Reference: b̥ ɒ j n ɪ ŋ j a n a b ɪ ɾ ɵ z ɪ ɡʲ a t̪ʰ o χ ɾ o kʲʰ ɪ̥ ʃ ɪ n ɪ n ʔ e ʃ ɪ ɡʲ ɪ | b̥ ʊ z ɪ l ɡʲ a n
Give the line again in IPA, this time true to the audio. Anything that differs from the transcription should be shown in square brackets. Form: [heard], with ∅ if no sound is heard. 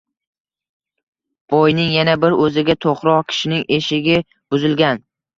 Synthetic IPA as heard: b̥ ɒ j n ɪ ŋ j a n a b ɪ ɾ ɵ z ɪ ɡʲ a t̪ʰ o χ ɾ [ɒ] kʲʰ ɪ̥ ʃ ɪ n ɪ [ŋ] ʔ e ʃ ɪ ɡʲ ɪ | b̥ ʊ z ɪ l ɡʲ a n